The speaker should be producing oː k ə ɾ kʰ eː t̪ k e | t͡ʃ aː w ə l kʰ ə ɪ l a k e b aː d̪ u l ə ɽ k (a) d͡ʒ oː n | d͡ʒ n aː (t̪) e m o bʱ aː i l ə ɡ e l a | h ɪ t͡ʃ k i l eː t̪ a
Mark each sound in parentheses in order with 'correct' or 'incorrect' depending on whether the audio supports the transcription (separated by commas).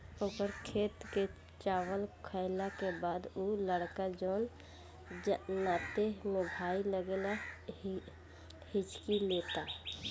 correct, correct